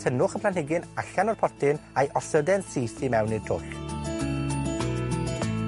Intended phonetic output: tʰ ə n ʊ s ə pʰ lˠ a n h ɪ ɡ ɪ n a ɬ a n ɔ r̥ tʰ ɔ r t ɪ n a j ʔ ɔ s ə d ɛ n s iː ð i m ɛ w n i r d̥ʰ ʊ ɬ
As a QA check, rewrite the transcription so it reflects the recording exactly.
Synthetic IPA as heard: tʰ ə n ʊ χ ə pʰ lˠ a n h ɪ ɡ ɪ n a ɬ a n ɔ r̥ pʰ ɔ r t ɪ n a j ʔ ɔ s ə d ɛ n s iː θ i m ɛ w n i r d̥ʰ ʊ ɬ